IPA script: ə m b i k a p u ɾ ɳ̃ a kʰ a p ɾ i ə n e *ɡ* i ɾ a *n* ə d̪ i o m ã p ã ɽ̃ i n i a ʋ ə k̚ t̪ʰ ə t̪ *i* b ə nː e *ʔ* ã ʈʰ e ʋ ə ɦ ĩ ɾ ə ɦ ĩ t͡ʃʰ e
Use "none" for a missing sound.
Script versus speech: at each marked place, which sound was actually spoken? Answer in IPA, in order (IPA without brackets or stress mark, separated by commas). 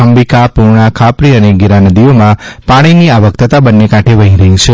ɡ, n, a, k